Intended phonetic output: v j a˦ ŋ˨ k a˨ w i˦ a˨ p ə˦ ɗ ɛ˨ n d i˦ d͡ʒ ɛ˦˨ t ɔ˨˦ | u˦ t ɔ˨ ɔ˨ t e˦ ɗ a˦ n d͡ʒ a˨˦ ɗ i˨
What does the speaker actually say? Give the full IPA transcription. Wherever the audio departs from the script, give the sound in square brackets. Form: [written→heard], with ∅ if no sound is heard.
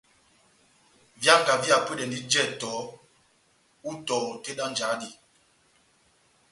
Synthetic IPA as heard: v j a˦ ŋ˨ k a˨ [w→v] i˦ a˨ p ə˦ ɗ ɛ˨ n d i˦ d͡ʒ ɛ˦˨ t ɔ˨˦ | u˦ t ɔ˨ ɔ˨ t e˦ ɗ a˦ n d͡ʒ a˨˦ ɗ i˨

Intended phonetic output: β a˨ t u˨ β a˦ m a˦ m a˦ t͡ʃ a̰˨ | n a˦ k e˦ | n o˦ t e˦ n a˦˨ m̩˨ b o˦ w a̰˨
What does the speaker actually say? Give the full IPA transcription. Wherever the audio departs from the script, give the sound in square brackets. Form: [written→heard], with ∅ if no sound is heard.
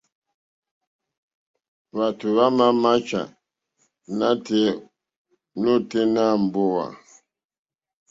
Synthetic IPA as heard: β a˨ t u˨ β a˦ m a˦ m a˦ t͡ʃ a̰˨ | n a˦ [k→t] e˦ | n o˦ t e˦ n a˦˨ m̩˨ b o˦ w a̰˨

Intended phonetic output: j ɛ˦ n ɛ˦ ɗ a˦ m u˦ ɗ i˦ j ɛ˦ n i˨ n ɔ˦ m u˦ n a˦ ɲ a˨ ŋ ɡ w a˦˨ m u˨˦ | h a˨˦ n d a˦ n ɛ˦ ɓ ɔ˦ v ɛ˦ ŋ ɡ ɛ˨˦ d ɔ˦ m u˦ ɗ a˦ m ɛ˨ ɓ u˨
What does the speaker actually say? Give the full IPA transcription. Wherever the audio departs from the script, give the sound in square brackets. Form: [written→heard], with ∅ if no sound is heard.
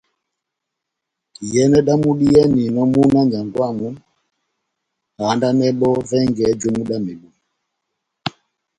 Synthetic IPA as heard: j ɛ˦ n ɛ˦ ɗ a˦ m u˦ ɗ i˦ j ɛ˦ n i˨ n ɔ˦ m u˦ n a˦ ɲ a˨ ŋ ɡ w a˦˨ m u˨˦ | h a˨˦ n d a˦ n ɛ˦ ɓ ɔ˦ v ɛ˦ ŋ ɡ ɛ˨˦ [d→d͡ʒ] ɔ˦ m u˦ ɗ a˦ m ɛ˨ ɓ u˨

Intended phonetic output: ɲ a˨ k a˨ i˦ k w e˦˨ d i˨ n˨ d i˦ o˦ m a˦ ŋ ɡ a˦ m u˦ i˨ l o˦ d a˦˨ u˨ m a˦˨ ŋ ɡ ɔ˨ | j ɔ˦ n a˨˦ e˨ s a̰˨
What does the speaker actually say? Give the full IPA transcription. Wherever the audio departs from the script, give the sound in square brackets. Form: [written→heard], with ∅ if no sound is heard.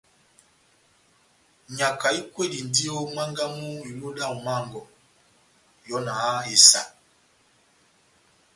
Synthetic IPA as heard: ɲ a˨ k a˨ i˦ k w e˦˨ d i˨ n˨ d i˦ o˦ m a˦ ŋ ɡ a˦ m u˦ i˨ l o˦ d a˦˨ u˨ m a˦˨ ŋ ɡ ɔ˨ | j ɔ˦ n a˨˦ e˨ s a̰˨

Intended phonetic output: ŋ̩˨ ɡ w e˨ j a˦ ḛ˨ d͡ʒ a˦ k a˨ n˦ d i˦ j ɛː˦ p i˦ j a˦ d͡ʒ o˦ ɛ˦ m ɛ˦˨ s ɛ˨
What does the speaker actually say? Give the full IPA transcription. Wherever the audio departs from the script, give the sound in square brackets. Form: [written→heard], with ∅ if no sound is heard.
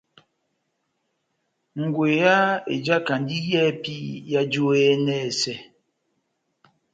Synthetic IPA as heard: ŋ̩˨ ɡ w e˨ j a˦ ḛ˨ d͡ʒ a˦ k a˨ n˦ d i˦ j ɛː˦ p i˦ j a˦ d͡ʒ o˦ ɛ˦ [m→n] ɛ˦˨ s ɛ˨

